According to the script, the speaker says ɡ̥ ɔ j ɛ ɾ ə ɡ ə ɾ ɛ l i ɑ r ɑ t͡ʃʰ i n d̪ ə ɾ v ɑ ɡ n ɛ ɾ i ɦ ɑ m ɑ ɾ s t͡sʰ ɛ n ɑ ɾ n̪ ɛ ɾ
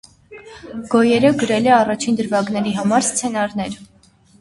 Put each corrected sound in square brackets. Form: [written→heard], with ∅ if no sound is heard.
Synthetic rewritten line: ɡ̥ ɔ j ɛ ɾ ə ɡ ə ɾ ɛ l [i→ɛ] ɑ r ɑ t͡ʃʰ i n d̪ ə ɾ v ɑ ɡ n ɛ ɾ i ɦ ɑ m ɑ ɾ s t͡sʰ ɛ n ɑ ɾ n̪ ɛ ɾ